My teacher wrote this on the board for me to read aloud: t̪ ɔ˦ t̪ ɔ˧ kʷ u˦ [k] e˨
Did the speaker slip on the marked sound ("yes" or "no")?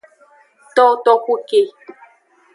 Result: no